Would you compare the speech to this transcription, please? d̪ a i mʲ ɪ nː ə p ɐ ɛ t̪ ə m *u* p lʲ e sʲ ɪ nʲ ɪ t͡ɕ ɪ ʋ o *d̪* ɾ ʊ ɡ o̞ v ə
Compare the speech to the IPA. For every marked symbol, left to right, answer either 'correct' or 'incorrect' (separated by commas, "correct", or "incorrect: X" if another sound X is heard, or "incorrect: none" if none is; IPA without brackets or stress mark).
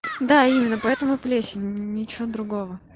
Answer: incorrect: ʊ, correct